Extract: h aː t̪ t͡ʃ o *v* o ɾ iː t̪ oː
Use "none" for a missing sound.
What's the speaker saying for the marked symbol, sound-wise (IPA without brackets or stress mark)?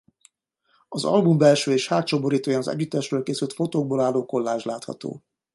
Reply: b